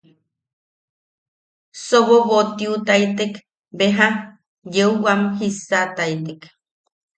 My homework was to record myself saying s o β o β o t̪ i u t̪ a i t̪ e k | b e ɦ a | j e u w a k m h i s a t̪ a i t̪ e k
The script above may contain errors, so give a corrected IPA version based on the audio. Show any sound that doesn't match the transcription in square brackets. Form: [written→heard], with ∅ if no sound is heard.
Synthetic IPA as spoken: s o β o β o t̪ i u t̪ a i t̪ e k | b e ɦ a | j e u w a [k→∅] m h i s a t̪ a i t̪ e k